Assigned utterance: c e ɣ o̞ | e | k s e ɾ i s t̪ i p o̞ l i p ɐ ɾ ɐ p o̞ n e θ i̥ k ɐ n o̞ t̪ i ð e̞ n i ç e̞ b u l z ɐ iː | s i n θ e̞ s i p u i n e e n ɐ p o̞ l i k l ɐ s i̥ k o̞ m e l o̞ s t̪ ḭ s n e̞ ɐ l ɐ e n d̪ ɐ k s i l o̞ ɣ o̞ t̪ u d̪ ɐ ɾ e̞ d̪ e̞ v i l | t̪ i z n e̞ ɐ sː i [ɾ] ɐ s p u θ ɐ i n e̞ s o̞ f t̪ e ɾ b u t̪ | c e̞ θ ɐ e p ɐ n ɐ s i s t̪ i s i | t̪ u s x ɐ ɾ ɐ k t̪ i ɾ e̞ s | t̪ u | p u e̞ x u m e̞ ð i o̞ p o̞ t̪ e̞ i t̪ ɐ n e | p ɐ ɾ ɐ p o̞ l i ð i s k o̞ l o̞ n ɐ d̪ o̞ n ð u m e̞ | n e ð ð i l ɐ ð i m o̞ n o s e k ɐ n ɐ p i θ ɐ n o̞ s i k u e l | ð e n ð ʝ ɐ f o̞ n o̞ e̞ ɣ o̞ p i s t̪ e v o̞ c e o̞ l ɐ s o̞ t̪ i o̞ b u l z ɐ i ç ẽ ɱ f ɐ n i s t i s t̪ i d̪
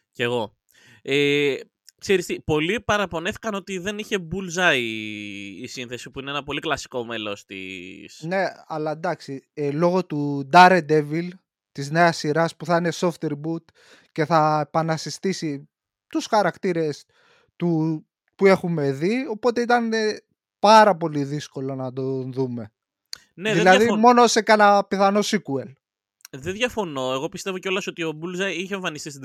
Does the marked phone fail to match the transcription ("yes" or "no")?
no